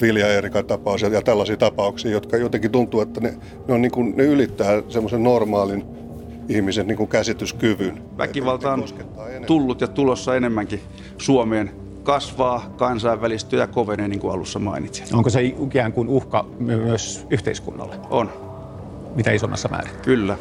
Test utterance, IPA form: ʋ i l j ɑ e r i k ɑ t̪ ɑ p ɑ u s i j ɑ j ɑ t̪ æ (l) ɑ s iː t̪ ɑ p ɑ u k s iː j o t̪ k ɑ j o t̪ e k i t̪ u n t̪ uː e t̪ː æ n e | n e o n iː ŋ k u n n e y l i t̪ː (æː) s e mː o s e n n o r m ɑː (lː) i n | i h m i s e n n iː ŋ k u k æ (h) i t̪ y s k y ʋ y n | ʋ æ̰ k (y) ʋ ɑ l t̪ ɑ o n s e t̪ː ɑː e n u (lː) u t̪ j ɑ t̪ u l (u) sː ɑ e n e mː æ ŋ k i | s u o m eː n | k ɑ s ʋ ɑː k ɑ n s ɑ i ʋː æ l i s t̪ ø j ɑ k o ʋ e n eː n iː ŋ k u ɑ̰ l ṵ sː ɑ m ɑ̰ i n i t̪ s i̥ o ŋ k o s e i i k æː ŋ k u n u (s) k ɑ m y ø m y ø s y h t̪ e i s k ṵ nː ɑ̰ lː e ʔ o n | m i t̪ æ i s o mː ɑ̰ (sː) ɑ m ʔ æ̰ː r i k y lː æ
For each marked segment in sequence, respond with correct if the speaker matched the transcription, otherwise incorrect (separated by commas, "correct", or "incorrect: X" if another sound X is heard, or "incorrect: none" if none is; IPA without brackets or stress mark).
incorrect: lː, correct, incorrect: l, incorrect: s, incorrect: i, correct, incorrect: o, incorrect: h, correct